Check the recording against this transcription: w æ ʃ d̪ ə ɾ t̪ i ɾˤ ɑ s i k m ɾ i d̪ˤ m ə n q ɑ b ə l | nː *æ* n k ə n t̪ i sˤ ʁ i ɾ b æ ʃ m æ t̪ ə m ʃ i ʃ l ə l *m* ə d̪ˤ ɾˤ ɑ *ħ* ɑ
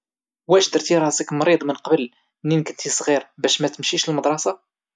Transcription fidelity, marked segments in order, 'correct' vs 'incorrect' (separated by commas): incorrect, correct, incorrect